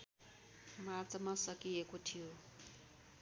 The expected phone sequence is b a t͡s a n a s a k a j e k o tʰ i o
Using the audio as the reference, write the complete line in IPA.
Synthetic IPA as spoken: m a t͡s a m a s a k i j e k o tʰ i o

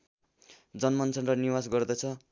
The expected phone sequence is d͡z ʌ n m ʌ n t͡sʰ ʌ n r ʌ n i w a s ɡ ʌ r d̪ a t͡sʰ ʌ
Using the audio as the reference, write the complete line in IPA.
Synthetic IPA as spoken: d͡z ʌ n m ʌ n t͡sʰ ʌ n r ʌ n i w a s ɡ ʌ r d̪ ʌ t͡sʰ ʌ

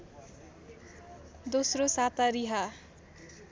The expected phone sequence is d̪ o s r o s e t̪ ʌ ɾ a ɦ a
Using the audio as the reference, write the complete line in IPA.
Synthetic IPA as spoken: d̪ o s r o s a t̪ a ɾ i ɦ a

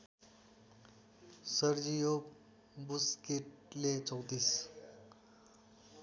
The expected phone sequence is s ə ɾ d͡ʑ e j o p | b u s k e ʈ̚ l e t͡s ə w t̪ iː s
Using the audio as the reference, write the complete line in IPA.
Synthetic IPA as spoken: s ə ɾ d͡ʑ i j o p | b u s k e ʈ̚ l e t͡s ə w t̪ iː s

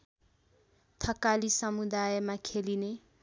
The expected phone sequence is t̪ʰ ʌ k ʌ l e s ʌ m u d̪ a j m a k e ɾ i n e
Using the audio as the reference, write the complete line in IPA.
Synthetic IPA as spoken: t̪ʰ ʌ k a l i s ʌ m u d̪ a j m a kʰ e l i n e

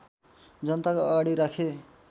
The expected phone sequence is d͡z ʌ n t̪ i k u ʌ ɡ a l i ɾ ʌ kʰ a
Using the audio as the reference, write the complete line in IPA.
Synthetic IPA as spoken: d͡z ʌ n t̪ a k o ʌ ɡ a ɽ i ɾ a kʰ e

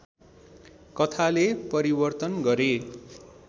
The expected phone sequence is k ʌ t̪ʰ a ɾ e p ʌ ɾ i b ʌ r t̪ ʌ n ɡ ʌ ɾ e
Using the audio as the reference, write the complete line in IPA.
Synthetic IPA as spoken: k ʌ t̪ʰ a l e p ʌ ɾ i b ʌ r t̪ ʌ n ɡ ʌ ɾ e

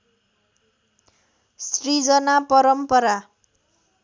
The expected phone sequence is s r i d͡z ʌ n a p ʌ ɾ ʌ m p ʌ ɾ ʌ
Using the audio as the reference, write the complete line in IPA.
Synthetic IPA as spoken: s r i d͡z ʌ n a p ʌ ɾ ʌ m p ʌ ɾ a

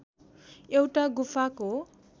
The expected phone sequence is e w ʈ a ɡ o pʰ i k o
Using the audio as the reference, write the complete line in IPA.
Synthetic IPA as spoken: e w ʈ a ɡ u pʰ a k o

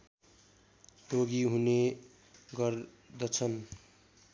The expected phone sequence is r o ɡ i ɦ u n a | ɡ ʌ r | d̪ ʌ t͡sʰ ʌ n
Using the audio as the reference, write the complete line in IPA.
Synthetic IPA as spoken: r o ɡ i ɦ u n e | ɡ ʌ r | d̪ ʌ t͡sʰ ʌ n

